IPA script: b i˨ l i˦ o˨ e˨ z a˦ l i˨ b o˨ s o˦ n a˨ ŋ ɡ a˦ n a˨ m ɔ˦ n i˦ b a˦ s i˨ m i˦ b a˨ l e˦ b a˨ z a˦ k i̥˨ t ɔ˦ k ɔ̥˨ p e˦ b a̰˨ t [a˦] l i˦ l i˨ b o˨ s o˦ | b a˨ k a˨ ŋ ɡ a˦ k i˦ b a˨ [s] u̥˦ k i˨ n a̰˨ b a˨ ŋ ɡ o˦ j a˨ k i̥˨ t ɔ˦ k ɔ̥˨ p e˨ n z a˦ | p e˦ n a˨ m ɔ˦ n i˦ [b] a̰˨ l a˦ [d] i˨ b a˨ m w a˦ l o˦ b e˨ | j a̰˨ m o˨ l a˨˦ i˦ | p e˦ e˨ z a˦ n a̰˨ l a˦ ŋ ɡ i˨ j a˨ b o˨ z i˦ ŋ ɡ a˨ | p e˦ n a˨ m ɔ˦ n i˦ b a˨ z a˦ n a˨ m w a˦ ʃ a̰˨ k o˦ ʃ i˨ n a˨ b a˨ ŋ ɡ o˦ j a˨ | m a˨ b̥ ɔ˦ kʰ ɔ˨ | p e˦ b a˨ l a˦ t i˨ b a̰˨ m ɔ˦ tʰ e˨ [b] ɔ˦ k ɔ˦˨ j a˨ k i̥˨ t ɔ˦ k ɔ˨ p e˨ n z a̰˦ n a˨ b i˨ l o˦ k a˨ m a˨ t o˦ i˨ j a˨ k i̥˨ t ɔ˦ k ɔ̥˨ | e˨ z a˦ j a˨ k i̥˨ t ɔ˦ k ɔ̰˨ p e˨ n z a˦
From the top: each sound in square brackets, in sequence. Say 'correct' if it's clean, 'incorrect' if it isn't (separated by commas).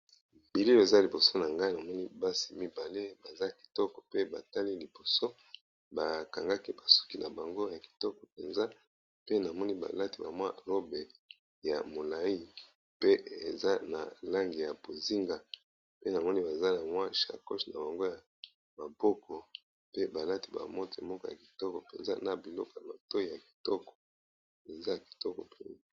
correct, correct, correct, incorrect, incorrect